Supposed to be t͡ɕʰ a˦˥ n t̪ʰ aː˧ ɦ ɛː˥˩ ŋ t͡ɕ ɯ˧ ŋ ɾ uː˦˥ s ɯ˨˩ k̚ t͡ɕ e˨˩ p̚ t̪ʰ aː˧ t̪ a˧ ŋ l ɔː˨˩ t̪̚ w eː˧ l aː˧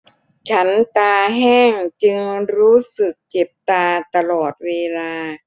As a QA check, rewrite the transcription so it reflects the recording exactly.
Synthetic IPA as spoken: t͡ɕʰ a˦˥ n t̪ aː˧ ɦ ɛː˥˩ ŋ t͡ɕ ɯ˧ ŋ ɾ uː˦˥ s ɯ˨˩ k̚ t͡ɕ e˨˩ p̚ t̪ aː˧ t̪ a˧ l ɔː˨˩ t̪̚ w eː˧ l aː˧